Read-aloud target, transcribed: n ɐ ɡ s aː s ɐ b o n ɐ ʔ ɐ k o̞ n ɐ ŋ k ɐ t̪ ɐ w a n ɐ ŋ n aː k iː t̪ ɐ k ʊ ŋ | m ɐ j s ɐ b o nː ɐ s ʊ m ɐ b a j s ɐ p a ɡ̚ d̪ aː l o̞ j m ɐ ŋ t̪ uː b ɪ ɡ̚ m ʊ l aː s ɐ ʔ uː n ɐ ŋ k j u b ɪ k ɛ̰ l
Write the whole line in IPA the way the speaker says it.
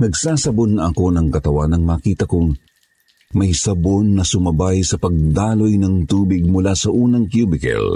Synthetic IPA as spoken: n ɐ ɡ s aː s ɐ b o n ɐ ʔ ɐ k o̞ n ɐ ŋ k ɐ t̪ ɐ w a n ɐ ŋ m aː k iː t̪ ɐ k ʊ ŋ | m ɐ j s ɐ b o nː ɐ s ʊ m ɐ b a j s ɐ p ɐ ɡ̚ d̪ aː l o̞ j n ɐ ŋ t̪ uː b ɪ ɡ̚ m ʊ l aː s ɐ ʔ uː n ɐ ŋ k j u b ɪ k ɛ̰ l